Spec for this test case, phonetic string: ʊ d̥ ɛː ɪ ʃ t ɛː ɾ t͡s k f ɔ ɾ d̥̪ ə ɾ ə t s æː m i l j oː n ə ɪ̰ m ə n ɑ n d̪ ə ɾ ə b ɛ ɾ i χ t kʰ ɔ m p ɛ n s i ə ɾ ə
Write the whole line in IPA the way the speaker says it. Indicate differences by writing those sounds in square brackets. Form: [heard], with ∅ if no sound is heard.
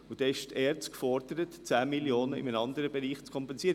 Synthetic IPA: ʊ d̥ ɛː ɪ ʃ t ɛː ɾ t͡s k f ɔ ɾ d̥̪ ə ɾ ə t [t͡s] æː m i l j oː n ə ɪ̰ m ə n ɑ n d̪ ə ɾ ə b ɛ ɾ [iː] χ [t͡s] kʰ ɔ m p ɛ n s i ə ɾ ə